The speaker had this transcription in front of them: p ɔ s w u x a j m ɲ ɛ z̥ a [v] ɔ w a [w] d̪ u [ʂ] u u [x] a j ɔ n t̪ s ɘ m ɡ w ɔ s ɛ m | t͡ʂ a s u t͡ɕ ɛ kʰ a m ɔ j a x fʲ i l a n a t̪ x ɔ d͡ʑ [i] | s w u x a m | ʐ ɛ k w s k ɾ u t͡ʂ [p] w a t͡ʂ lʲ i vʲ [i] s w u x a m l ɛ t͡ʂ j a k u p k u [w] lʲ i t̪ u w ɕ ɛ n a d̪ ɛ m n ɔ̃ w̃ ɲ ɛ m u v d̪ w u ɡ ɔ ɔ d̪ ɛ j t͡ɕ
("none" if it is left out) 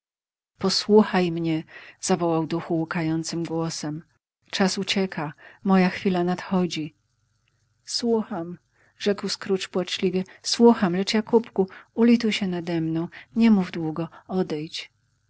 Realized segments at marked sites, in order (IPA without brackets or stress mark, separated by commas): v, w, x, k, i, p, ɛ, u